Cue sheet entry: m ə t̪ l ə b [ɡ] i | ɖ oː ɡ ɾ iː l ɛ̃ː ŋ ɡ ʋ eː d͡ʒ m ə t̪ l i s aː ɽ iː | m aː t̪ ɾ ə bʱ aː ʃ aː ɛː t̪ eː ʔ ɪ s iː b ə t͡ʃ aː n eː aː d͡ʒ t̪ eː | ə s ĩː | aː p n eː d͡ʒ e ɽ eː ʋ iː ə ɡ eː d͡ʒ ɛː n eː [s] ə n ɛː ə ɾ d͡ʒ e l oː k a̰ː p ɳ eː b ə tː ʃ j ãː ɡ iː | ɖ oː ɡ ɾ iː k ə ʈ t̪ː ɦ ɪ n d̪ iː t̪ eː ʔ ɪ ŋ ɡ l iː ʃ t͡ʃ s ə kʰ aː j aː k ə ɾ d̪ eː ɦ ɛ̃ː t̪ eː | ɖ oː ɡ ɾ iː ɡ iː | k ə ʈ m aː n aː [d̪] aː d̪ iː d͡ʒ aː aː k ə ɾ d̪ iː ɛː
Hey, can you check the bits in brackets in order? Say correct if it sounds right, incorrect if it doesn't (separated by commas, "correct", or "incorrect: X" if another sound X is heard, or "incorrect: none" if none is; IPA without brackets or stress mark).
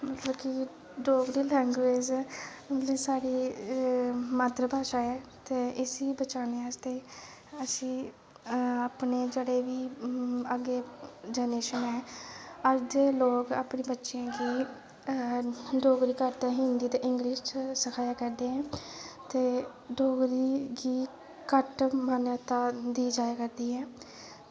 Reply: incorrect: k, incorrect: ʃ, incorrect: t̪